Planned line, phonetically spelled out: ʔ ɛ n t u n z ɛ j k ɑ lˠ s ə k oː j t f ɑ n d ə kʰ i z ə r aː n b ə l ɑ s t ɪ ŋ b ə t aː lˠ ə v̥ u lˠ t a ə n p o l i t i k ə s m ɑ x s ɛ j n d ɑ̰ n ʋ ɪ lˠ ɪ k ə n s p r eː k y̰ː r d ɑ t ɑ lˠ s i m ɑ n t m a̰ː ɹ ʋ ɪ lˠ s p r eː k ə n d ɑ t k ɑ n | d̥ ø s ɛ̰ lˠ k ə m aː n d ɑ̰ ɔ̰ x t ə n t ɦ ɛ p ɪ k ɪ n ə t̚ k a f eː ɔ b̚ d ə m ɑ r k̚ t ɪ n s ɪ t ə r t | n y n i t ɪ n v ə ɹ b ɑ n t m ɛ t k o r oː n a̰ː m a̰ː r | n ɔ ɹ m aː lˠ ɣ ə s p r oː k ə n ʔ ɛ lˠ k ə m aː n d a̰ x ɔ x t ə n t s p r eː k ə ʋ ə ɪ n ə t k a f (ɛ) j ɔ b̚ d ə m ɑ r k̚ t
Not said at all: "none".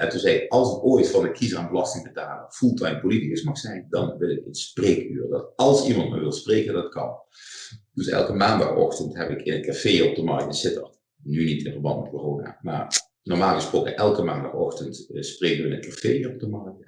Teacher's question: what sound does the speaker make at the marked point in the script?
e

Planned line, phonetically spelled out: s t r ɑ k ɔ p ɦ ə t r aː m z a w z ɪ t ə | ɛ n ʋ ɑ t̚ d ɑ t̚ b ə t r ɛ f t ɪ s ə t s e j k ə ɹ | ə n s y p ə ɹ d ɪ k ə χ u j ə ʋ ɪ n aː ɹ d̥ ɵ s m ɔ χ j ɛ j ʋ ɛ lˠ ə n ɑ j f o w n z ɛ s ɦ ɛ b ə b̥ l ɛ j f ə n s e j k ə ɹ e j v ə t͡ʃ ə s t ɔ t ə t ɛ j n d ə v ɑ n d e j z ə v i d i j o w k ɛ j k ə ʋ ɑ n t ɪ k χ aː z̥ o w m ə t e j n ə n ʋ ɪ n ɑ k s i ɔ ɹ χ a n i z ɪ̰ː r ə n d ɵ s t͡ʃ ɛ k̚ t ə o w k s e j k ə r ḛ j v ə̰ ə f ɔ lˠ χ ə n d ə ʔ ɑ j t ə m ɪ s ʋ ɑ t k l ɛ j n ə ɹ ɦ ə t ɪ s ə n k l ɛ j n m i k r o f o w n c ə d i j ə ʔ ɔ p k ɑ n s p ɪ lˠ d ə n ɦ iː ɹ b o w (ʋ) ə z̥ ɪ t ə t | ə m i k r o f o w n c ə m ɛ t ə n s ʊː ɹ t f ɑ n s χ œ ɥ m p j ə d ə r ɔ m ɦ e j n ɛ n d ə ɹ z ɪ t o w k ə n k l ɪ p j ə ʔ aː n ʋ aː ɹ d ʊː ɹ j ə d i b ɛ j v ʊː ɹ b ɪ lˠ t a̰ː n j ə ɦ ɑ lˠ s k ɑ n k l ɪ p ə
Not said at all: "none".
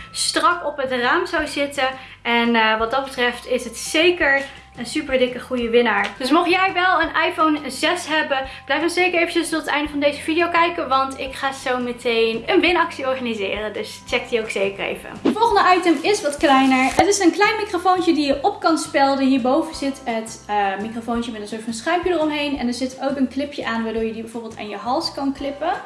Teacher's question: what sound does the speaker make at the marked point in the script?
v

